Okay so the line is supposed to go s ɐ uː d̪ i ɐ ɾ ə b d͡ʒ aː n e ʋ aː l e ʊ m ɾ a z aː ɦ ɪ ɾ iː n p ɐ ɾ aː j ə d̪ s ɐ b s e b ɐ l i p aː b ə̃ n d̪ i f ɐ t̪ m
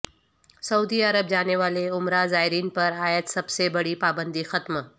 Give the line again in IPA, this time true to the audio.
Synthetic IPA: s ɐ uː d̪ i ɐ ɾ ə b d͡ʒ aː n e ʋ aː l e ʊ m ɾ a z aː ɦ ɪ ɾ iː n p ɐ ɾ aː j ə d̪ s ɐ b s e b ɐ ɽ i p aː b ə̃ n d̪ i x ɐ t̪ m